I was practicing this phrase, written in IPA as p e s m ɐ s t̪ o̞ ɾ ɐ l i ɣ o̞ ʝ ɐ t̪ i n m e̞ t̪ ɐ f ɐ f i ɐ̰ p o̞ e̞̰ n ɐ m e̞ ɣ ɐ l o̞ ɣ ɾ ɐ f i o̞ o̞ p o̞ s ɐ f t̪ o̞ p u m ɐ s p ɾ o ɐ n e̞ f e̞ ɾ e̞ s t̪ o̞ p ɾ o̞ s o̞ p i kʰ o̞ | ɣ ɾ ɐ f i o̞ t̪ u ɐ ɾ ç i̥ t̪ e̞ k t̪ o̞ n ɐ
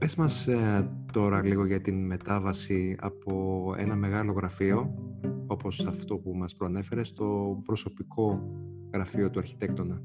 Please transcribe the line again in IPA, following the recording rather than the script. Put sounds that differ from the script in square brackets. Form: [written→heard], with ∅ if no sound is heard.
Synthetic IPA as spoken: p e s m ɐ s t̪ o̞ ɾ ɐ l i ɣ o̞ ʝ ɐ t̪ i n m e̞ t̪ ɐ [f→v] ɐ [f→s] i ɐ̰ p o̞ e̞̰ n ɐ m e̞ ɣ ɐ l o̞ ɣ ɾ ɐ f i o̞ o̞ p o̞ s ɐ f t̪ o̞ p u m ɐ s p ɾ o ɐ n e̞ f e̞ ɾ e̞ s t̪ o̞ p ɾ o̞ s o̞ p i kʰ o̞ | ɣ ɾ ɐ f i o̞ t̪ u ɐ ɾ ç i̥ t̪ e̞ k t̪ o̞ n ɐ